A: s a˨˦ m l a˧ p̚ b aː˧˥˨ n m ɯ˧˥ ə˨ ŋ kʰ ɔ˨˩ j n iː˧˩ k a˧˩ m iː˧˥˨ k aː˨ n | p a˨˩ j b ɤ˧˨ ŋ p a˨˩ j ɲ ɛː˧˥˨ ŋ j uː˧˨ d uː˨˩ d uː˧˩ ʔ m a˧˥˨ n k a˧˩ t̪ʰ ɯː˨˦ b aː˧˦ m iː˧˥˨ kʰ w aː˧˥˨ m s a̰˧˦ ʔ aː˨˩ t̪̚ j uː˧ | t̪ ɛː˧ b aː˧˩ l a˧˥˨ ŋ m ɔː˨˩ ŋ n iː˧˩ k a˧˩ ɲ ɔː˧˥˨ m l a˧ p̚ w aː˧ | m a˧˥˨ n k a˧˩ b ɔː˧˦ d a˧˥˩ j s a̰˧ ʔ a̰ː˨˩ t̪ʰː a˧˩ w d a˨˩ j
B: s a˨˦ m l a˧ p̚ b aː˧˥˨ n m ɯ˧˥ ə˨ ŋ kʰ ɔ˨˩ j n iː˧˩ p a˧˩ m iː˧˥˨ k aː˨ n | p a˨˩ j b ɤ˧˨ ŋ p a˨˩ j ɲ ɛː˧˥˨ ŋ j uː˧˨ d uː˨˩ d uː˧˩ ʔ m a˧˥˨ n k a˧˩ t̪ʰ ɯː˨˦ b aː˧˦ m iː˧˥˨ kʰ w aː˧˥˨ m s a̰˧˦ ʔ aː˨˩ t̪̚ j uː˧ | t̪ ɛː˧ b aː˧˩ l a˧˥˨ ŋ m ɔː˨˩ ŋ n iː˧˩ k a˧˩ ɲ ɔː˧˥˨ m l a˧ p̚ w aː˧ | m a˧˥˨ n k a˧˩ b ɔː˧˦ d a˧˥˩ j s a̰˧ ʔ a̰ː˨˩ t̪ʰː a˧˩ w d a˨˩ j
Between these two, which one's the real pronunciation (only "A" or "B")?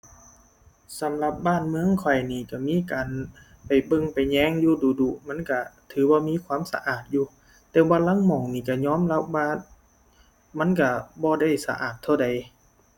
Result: A